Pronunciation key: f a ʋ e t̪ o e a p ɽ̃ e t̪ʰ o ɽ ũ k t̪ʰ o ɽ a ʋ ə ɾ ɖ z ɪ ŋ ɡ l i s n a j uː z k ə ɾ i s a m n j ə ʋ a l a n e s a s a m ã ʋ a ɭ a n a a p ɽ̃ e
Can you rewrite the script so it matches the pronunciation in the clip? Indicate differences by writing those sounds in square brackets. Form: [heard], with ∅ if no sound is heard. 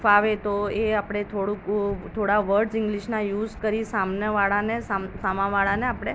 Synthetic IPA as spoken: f a ʋ e t̪ o e a p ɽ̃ e t̪ʰ o ɽ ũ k t̪ʰ o ɽ a ʋ ə ɾ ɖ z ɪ ŋ ɡ l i [ʃ] n a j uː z k ə ɾ i s a m n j ə ʋ a [ɭ] a n e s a s a m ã ʋ a ɭ a n [e] a p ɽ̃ e